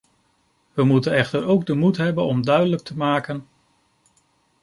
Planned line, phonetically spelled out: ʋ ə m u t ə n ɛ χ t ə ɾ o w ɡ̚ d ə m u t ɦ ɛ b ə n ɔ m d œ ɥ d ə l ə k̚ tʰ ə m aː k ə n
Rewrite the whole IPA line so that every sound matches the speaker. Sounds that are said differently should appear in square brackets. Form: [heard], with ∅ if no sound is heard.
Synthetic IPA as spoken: ʋ ə m u t ə n ɛ χ t ə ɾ o w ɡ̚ d ə m u t ɦ ɛ b ə n ɔ m d œ ɥ d ə l ə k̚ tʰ ə m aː k ə n